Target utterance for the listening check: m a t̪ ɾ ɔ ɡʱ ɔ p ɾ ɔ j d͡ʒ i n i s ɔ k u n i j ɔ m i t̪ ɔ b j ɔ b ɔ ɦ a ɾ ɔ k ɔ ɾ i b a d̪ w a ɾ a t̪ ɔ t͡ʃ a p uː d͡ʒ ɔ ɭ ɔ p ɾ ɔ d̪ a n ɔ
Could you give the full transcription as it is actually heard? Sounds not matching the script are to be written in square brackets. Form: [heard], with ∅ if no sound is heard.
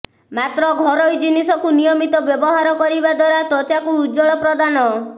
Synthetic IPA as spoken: m a t̪ ɾ ɔ ɡʱ ɔ [∅] ɾ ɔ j d͡ʒ i n i s ɔ k u n i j ɔ m i t̪ ɔ b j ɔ b ɔ ɦ a ɾ ɔ k ɔ ɾ i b a d̪ w a ɾ a t̪ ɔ t͡ʃ a [k] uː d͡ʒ ɔ ɭ ɔ p ɾ ɔ d̪ a n ɔ